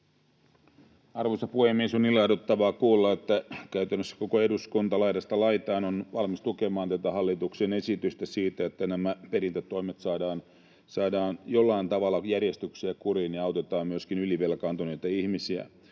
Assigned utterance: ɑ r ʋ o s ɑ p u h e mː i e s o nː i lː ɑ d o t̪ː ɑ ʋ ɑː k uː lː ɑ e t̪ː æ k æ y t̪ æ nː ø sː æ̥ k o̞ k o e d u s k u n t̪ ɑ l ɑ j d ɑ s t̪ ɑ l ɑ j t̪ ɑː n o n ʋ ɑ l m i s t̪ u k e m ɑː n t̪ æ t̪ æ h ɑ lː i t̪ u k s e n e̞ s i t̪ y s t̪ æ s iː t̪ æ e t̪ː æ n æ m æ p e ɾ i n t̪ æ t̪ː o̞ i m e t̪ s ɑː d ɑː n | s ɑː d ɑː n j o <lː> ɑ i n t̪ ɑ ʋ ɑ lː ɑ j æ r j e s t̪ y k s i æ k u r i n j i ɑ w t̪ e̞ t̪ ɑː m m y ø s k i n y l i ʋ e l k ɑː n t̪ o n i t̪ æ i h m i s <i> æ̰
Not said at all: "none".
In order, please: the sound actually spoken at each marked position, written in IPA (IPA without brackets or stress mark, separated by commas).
lː, i